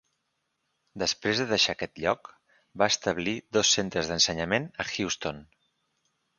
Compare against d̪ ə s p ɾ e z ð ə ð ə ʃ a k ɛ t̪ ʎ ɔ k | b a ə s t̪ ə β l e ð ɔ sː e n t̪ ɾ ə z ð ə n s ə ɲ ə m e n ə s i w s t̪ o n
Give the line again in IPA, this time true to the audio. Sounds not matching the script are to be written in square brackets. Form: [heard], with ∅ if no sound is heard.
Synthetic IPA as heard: d̪ ə s p ɾ e z ð ə ð ə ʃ a k ɛ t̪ ʎ ɔ k | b a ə s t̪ ə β l [i] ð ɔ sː e n t̪ ɾ ə z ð ə n s ə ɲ ə m e n ə [x] i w s t̪ o n